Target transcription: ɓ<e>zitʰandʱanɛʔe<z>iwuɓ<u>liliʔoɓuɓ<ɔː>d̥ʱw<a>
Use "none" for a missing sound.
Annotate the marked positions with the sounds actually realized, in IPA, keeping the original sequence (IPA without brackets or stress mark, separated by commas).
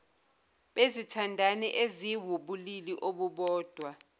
e, z, u, ɔː, a